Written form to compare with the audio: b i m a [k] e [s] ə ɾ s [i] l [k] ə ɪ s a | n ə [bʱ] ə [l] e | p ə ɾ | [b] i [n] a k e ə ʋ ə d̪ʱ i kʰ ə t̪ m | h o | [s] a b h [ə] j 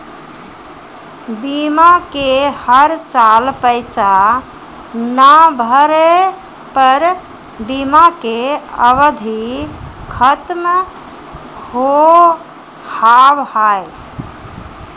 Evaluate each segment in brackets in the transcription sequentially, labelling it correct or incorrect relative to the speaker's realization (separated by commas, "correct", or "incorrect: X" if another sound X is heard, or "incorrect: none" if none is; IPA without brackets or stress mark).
correct, incorrect: h, incorrect: a, incorrect: p, correct, incorrect: ɾ, correct, incorrect: m, incorrect: h, incorrect: a